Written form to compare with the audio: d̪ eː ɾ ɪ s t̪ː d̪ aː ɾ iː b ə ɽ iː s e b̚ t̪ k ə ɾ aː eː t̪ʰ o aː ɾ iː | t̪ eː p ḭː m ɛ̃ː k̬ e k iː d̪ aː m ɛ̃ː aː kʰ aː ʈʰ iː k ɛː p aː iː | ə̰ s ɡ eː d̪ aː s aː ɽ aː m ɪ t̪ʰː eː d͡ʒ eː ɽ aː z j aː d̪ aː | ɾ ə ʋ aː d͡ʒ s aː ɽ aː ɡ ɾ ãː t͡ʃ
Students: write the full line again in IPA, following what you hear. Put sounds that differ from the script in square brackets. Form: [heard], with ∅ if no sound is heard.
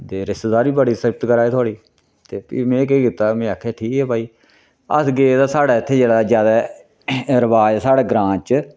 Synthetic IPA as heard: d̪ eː ɾ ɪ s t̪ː d̪ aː ɾ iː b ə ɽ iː s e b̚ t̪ k ə ɾ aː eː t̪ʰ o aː [ɽ] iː | t̪ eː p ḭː m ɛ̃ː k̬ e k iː [t̪] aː m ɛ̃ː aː kʰ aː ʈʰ iː k ɛː p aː iː | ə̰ s ɡ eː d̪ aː s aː ɽ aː [∅] ɪ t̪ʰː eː d͡ʒ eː ɽ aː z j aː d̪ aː | ɾ ə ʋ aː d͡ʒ s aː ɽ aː ɡ ɾ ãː t͡ʃ